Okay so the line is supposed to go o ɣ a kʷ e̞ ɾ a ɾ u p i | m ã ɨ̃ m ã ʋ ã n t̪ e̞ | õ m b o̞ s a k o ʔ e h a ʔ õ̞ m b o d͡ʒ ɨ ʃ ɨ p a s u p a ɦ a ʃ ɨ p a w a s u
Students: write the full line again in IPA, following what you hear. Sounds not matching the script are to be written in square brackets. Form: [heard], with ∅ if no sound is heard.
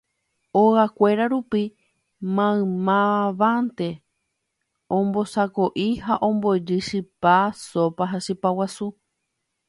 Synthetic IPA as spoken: o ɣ a kʷ e̞ ɾ a ɾ u p i | m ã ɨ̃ m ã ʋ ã n t̪ e̞ | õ m b o̞ s a k o ʔ [i] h a ʔ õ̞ m b o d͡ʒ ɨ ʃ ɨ p a s [o] p a ɦ a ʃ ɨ p a w a s u